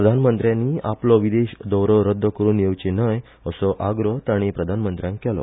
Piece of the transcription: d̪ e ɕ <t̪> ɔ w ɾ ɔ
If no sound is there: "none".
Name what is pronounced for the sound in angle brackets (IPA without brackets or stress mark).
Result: d̪